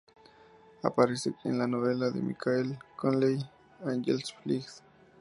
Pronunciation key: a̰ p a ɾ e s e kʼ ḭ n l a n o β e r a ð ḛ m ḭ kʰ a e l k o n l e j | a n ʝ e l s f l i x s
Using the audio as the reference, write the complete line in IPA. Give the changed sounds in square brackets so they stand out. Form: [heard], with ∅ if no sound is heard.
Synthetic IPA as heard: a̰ p a ɾ e s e kʼ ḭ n l a n o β e [l] a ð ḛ m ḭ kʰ a e l k o n l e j | a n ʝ e l s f l i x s